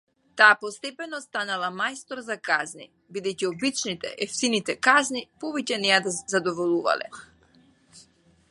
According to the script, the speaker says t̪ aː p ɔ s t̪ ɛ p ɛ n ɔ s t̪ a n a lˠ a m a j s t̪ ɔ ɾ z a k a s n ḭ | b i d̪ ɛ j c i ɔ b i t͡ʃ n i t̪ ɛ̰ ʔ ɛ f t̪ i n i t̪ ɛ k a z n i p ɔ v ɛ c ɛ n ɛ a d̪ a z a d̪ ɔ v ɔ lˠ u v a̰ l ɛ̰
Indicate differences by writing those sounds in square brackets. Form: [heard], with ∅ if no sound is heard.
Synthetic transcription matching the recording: t̪ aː p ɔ s t̪ ɛ p ɛ n ɔ s t̪ a n a lˠ a m a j s t̪ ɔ ɾ z a k a [z] n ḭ | b i d̪ ɛ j c i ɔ b i t͡ʃ n i t̪ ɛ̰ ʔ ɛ f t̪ i n i t̪ ɛ k a z n i p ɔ v ɛ c ɛ n ɛ a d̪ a z a d̪ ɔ v ɔ lˠ u v a̰ l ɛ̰